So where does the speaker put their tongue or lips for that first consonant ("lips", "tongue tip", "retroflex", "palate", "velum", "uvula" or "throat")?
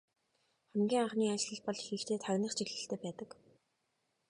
uvula